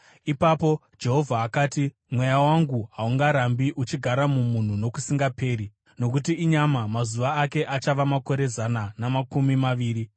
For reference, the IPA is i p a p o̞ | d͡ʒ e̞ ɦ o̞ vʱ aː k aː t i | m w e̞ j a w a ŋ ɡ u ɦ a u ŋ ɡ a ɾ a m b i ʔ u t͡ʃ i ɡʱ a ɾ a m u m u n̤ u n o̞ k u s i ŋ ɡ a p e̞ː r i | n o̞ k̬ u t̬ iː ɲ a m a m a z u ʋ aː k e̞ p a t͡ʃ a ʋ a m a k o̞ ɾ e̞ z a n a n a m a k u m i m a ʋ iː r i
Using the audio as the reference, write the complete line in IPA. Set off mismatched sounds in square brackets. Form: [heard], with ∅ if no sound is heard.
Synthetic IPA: i p a p o̞ | d͡ʒ e̞ ɦ o̞ vʱ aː k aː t i | m w e̞ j a w a ŋ ɡ u ɦ a u ŋ ɡ a ɾ a m b i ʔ u t͡ʃ i ɡʱ a ɾ a m u m u n̤ u n o̞ k u s i ŋ ɡ a p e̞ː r i | n o̞ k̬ u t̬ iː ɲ a m a m a z u ʋ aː k e̞ [ʔ] a t͡ʃ a ʋ a m a k o̞ ɾ e̞ z a n a n a m a k u m i m a ʋ iː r i